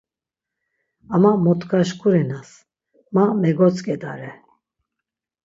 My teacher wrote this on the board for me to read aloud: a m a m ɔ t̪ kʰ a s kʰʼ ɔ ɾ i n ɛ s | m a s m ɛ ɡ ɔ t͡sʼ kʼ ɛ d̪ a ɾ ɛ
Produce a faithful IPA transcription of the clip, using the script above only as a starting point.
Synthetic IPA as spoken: a m a m ɔ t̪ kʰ a ʃ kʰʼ u ɾ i n a s | m a m ɛ ɡ ɔ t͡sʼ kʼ ɛ d̪ a ɾ ɛ